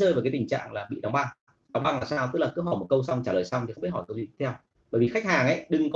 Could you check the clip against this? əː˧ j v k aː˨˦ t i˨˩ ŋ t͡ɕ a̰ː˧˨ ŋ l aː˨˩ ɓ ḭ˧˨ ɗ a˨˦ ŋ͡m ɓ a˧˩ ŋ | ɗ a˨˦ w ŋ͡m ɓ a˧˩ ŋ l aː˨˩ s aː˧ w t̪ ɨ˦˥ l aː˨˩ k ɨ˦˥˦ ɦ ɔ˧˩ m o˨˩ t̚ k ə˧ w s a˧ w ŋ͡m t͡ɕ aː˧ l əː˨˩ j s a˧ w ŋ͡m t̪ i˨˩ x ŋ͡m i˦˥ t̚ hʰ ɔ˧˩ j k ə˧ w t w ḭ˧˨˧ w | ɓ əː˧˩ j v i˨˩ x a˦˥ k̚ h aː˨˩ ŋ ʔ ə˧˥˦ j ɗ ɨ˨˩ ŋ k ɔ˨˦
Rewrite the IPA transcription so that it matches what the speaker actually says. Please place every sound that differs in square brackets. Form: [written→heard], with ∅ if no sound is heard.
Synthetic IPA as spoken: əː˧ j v k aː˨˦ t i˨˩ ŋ t͡ɕ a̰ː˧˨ ŋ l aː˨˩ ɓ ḭ˧˨ ɗ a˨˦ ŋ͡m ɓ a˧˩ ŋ | ɗ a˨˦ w ŋ͡m ɓ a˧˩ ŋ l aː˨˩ s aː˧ w t̪ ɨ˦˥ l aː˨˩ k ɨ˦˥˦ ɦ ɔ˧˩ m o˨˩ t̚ k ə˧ w s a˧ w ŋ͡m t͡ɕ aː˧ l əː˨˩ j s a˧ w ŋ͡m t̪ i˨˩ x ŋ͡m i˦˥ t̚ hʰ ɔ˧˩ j k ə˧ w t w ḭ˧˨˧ w | ɓ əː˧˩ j v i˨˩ x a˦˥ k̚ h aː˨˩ ŋ ʔ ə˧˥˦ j ɗ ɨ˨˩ ŋ k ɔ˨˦